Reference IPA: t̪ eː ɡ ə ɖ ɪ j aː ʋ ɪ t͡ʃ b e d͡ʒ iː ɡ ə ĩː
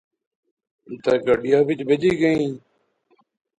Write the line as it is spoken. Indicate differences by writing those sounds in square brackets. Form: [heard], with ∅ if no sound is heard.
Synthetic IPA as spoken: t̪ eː ɡ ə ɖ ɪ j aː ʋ ɪ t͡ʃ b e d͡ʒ iː ɡ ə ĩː